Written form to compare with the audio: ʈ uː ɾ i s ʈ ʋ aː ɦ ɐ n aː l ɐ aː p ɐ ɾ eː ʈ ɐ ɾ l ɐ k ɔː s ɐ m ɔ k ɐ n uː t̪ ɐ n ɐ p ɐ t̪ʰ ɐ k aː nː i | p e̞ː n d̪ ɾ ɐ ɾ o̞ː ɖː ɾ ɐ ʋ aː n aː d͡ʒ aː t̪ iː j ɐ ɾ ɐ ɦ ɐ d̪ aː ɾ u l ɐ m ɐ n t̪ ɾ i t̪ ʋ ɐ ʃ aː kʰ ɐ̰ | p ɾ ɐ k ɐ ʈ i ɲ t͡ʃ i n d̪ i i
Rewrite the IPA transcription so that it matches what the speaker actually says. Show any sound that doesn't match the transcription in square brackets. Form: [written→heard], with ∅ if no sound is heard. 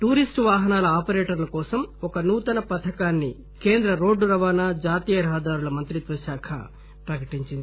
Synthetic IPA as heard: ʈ uː ɾ i s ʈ ʋ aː ɦ ɐ n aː l ɐ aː p ɐ ɾ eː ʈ ɐ ɾ l ɐ k ɔː s ɐ m ɔ k ɐ n uː t̪ ɐ n ɐ p ɐ t̪ʰ ɐ k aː nː i | [p→k] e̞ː n d̪ ɾ ɐ ɾ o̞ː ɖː ɾ ɐ ʋ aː n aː d͡ʒ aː t̪ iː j ɐ ɾ ɐ ɦ ɐ d̪ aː ɾ u l ɐ m ɐ n t̪ ɾ i t̪ ʋ ɐ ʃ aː kʰ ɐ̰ | p ɾ ɐ k ɐ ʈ i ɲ t͡ʃ i n d̪ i i